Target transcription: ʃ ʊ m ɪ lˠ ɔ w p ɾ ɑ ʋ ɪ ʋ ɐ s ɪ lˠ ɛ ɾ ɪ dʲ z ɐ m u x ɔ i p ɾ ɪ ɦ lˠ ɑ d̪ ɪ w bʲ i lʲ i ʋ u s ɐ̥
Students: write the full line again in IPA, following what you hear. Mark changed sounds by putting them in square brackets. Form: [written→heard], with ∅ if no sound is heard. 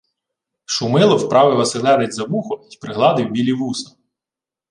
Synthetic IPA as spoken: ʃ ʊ m ɪ lˠ ɔ w p ɾ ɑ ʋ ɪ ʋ ɐ s ɪ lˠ ɛ ɾ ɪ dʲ z ɐ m u x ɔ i p ɾ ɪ ɦ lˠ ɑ d̪ ɪ w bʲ i lʲ i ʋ u s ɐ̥